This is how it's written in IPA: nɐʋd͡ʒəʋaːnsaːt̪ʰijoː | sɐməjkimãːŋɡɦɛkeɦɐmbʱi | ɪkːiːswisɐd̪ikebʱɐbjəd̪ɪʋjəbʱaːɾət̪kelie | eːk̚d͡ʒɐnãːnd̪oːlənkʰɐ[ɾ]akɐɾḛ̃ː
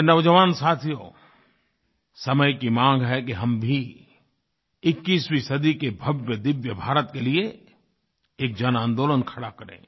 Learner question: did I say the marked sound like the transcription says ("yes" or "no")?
no